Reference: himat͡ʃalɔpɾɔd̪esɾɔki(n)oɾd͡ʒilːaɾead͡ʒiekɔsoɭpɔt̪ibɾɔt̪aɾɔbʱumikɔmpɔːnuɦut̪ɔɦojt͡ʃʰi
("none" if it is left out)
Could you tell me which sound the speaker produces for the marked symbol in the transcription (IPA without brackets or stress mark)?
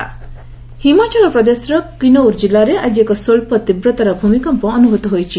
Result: n